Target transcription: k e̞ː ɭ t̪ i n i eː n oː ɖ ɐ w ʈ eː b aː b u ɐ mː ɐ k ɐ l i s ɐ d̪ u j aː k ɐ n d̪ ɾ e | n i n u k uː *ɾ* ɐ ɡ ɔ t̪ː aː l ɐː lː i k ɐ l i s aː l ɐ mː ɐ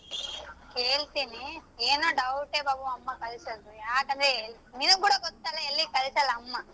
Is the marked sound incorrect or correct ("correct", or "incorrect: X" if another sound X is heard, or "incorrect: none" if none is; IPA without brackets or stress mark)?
incorrect: ɽ